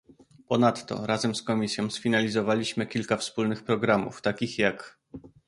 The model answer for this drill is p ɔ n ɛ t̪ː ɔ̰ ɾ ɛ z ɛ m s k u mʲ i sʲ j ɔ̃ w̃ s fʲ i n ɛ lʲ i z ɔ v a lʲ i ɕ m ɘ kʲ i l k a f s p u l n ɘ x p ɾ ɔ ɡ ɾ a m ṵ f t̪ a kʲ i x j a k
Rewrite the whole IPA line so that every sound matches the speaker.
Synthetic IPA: p ɔ n a t̪ː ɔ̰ ɾ a z ɛ m s k ɔ mʲ i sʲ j ɔ̃ w̃ s fʲ i n a lʲ i z ɔ v a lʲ i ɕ m ɘ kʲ i l k a f s p u l n ɘ x p ɾ ɔ ɡ ɾ a m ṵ f t̪ a kʲ i x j a k

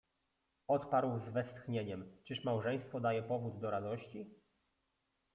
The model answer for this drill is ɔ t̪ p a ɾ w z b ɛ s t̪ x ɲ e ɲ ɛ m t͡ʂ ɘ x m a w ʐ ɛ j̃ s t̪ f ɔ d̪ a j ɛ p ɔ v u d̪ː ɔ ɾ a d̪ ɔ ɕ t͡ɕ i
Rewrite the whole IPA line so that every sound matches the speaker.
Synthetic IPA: ɔ t̪ p a ɾ w z v ɛ s t̪ x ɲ e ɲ ɛ m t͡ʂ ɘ ʂ m a w ʐ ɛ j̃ s t̪ f ɔ d̪ a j ɛ p ɔ v u d̪ː ɔ ɾ a d̪ ɔ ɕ t͡ɕ i

